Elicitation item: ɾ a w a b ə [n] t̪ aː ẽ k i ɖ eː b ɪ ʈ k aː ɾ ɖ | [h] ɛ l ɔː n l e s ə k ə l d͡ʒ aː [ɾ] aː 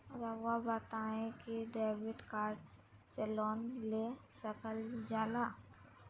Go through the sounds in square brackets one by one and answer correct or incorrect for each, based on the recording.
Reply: incorrect: none, incorrect: s, incorrect: l

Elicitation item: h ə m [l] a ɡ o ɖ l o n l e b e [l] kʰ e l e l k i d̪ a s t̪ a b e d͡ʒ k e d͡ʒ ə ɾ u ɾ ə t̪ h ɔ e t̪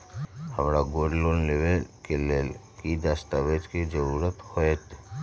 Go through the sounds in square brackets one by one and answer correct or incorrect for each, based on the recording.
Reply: incorrect: ɾ, correct

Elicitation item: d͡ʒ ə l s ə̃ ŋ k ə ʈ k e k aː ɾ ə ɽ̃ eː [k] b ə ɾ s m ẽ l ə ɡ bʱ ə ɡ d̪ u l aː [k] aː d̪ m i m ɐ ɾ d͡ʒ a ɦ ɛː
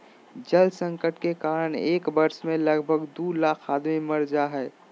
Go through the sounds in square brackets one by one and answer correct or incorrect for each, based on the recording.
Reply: correct, incorrect: kʰ

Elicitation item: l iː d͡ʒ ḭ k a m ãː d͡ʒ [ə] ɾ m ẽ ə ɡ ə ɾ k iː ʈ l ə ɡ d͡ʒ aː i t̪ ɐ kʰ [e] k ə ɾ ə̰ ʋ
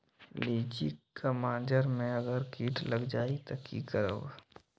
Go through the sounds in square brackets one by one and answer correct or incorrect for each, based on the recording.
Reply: correct, incorrect: i

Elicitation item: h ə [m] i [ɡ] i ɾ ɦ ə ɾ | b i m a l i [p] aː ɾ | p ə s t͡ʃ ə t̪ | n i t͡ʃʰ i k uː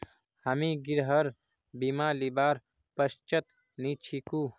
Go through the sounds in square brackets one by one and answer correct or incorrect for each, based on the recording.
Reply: correct, correct, incorrect: b

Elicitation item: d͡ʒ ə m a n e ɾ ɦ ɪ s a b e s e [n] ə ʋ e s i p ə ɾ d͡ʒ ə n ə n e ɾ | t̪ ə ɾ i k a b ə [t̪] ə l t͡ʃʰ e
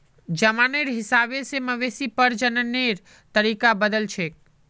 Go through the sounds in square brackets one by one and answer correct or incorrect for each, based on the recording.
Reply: incorrect: m, incorrect: d̪

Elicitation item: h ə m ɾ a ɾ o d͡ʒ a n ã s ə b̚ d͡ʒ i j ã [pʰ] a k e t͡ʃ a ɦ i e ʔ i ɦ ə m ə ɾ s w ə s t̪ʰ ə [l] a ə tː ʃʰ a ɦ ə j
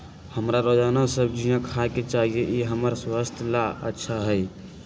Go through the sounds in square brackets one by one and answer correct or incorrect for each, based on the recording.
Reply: incorrect: kʰ, correct

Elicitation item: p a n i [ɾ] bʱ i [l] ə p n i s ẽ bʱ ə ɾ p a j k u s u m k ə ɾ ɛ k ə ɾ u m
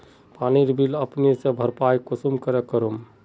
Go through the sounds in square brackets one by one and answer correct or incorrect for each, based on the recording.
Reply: correct, correct

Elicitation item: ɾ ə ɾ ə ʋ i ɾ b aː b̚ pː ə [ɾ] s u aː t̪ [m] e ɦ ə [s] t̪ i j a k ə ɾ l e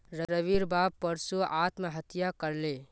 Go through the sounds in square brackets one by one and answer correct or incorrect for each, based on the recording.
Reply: correct, correct, incorrect: none

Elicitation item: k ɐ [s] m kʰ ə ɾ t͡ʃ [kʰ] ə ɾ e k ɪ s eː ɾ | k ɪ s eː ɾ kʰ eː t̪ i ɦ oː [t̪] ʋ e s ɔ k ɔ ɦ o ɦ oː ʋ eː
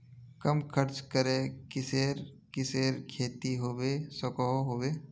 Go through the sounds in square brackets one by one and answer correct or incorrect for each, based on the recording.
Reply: incorrect: none, incorrect: k, incorrect: none

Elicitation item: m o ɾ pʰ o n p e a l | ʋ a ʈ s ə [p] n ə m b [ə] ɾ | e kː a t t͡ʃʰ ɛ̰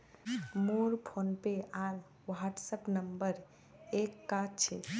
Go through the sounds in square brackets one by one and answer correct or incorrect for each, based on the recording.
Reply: correct, correct

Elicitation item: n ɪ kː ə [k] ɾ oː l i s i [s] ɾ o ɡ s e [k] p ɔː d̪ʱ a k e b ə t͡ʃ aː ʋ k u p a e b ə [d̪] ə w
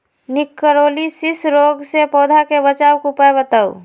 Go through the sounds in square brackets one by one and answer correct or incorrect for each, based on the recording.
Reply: incorrect: none, correct, incorrect: none, incorrect: t̪

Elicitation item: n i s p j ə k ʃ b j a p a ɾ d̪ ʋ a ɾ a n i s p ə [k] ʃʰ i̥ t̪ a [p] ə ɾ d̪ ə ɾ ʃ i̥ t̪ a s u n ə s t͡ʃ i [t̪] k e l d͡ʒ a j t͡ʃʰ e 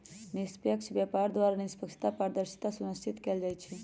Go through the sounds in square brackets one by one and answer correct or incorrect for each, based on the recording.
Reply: correct, correct, correct

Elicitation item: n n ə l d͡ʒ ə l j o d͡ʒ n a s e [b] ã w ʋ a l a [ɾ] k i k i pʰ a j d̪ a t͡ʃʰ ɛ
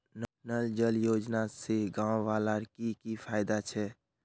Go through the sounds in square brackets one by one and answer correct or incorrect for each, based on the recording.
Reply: incorrect: ɡ, correct

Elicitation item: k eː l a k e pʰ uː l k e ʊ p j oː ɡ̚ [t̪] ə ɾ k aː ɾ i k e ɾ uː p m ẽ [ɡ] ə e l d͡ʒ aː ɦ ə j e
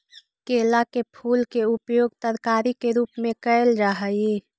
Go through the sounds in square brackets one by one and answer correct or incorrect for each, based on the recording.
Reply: correct, incorrect: k

